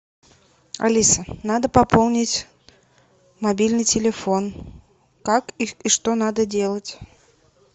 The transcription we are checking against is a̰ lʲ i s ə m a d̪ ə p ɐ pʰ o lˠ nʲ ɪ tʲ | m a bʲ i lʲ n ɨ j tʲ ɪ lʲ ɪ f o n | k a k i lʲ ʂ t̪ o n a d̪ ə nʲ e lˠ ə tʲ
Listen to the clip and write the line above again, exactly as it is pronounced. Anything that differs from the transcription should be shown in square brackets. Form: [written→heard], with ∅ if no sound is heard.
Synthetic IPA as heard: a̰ lʲ i s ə [m→n] a d̪ ə p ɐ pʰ o lˠ nʲ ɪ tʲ | m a bʲ i lʲ n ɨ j tʲ ɪ lʲ ɪ f o n | k a k i [lʲ→∅] ʂ t̪ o n a d̪ ə [nʲ→dʲ] e lˠ ə tʲ

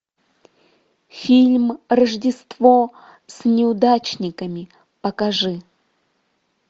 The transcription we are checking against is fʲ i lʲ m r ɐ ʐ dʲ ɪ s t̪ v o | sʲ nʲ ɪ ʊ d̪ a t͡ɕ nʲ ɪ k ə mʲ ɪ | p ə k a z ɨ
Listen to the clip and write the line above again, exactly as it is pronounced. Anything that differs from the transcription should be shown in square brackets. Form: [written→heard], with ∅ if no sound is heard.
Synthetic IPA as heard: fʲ i lʲ m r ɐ ʐ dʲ ɪ s t̪ v o | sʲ nʲ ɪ ʊ d̪ a t͡ɕ nʲ ɪ k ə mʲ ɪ | p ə k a [z→ʐ] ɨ

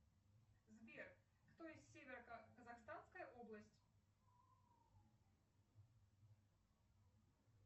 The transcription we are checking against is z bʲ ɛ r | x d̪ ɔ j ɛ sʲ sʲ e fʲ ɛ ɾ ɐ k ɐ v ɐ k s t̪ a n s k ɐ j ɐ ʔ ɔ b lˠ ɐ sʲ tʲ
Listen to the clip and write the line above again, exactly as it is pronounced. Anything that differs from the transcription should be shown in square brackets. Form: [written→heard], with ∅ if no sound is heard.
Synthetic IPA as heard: z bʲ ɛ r | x [d̪→t̪] ɔ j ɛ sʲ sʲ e [fʲ→vʲ] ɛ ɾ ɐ k ɐ [v→z] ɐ [k→x] s t̪ a n s k ɐ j ɐ ʔ ɔ b lˠ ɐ sʲ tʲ

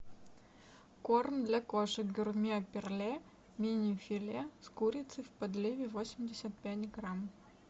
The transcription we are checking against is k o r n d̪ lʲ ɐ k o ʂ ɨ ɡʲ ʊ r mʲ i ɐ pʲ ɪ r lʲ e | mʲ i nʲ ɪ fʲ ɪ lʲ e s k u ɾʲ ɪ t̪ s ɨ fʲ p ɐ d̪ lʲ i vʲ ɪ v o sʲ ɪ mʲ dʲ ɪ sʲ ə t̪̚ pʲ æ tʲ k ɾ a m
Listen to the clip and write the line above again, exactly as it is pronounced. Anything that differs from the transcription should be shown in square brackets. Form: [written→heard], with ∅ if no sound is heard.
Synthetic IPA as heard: k o r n d̪ lʲ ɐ k o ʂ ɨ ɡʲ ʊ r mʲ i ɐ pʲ ɪ r lʲ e | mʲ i nʲ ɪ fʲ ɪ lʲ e s k u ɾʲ ɪ t̪ s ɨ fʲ p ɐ d̪ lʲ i vʲ ɪ v o sʲ ɪ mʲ dʲ ɪ sʲ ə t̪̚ pʲ æ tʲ [k→ɡ] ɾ a m

